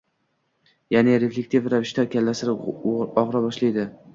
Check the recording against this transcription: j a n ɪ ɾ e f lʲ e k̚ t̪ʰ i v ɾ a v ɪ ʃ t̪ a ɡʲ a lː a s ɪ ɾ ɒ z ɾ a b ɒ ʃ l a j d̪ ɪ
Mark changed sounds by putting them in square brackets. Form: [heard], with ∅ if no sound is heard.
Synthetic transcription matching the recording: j a n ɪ ɾ e f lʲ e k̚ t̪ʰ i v ɾ a v ɪ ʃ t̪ a [kʲ] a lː a s ɪ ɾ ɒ [ʁ] ɾ a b ɒ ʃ l a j d̪ ɪ